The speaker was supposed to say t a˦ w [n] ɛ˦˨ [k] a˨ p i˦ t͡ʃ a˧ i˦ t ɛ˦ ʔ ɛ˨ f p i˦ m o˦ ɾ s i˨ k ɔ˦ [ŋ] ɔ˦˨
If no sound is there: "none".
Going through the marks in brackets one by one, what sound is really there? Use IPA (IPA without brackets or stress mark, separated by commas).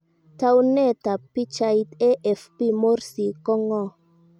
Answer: n, t, ŋ